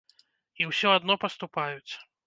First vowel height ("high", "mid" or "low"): high